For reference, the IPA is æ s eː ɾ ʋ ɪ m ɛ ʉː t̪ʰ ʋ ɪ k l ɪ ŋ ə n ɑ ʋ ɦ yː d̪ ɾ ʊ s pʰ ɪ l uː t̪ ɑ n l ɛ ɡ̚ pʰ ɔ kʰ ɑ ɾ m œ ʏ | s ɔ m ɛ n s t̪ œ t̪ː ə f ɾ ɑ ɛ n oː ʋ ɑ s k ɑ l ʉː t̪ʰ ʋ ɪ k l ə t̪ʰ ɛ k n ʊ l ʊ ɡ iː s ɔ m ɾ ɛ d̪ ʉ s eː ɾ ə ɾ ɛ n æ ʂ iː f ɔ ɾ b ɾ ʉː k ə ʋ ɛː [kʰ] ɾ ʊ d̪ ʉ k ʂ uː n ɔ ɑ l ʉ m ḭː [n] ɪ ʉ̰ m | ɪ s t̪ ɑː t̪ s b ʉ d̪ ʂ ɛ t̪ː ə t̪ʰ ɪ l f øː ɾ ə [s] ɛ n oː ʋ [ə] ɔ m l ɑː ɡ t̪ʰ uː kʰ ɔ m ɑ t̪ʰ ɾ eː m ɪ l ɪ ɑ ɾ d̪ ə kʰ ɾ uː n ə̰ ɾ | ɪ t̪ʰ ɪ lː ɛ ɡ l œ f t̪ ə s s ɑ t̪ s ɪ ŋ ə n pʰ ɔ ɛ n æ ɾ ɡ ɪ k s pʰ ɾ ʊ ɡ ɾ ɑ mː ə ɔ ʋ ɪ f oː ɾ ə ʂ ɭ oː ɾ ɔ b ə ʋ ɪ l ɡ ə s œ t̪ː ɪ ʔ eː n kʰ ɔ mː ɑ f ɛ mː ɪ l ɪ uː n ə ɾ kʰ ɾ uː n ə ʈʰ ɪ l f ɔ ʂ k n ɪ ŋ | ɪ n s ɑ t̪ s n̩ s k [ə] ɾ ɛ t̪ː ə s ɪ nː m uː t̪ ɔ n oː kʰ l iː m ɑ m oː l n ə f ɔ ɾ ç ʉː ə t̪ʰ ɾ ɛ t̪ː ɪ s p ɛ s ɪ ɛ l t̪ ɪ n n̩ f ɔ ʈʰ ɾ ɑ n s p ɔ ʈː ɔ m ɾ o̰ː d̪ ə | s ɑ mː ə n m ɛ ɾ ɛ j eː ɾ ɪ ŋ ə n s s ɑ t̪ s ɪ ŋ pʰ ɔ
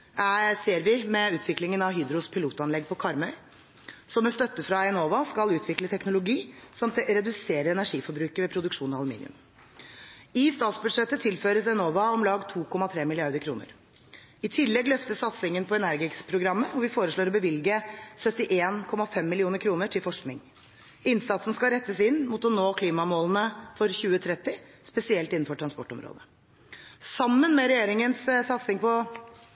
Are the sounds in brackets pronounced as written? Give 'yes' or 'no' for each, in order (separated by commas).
no, yes, yes, no, no